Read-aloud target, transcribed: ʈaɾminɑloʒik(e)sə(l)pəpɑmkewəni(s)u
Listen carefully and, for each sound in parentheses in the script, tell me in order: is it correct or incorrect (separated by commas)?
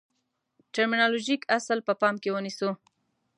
incorrect, correct, correct